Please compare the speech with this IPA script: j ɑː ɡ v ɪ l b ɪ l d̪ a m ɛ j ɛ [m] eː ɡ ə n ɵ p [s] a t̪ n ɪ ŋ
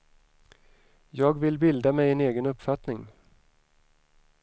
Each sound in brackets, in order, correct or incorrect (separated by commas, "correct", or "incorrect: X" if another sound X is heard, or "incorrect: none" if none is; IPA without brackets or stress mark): incorrect: n, incorrect: f